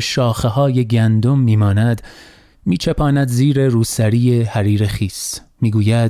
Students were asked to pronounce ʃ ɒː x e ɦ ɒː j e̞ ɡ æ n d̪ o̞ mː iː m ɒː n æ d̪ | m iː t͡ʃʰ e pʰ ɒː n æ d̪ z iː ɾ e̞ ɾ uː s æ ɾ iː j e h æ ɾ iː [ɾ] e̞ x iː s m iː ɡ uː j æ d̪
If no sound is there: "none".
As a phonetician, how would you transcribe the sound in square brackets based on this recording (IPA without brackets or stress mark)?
ɾ